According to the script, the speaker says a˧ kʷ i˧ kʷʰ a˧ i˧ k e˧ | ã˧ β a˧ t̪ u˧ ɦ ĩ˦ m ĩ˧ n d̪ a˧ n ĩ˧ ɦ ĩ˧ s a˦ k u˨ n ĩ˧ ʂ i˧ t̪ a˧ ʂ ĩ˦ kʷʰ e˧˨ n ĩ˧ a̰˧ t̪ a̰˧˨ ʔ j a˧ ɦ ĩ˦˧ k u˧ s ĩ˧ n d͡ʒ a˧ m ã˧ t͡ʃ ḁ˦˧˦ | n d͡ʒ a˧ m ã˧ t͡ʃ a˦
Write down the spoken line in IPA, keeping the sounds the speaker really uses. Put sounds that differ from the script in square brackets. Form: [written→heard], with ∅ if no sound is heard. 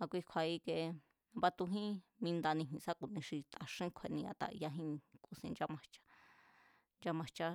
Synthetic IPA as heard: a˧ kʷ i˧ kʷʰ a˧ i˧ k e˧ | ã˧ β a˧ t̪ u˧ ɦ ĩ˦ m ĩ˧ n d̪ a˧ n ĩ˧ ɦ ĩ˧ s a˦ k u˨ n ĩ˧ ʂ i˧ t̪ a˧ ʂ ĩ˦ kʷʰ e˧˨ n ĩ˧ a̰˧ t̪ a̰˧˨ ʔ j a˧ ɦ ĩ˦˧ k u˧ s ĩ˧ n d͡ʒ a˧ m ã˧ t͡ʃ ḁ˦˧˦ | n d͡ʒ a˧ m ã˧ t͡ʃ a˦